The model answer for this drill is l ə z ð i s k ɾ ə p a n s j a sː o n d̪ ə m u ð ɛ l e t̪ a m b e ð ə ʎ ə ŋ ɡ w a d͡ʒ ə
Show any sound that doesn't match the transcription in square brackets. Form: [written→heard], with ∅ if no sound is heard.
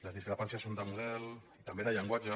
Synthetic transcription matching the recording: l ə z ð i s k ɾ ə p a n s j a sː o n d̪ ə m u ð ɛ l [e→i] t̪ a m b e ð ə ʎ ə ŋ ɡ w a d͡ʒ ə